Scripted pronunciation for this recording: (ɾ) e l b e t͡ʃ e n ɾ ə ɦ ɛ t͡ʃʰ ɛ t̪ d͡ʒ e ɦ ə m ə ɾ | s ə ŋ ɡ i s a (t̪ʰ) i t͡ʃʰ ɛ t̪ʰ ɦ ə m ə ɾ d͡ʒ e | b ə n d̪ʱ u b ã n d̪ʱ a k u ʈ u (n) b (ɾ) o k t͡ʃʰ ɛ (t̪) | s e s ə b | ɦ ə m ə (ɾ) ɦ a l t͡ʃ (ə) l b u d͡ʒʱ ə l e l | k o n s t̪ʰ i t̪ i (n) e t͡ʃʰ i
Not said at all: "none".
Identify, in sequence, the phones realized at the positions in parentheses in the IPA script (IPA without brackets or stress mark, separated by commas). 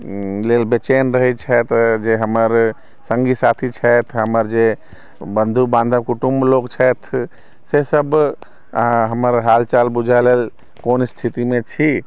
l, t̪ʰ, m, l, t̪ʰ, ɾ, a, m